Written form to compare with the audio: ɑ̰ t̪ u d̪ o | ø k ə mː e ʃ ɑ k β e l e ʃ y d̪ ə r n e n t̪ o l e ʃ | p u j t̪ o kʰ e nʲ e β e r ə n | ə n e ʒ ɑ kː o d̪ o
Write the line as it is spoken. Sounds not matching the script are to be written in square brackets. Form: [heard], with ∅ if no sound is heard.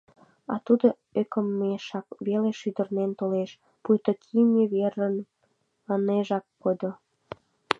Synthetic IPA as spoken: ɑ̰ t̪ u d̪ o | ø k ə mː e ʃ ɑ k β e l e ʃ y d̪ ə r n e n t̪ o l e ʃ | p u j t̪ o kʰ [i] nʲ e β e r ə n | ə n e ʒ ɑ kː o d̪ o